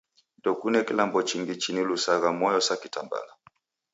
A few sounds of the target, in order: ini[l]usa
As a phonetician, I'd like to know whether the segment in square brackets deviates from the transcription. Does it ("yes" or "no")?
no